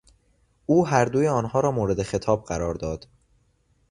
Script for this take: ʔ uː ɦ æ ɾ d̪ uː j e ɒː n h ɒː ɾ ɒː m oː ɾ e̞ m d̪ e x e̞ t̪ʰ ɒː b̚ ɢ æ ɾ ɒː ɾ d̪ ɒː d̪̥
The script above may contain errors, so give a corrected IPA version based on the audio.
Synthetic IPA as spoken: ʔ uː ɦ æ ɾ d̪ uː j e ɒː n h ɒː ɾ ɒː m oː ɾ e̞ d̪ e x e̞ t̪ʰ ɒː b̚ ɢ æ ɾ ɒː ɾ d̪ ɒː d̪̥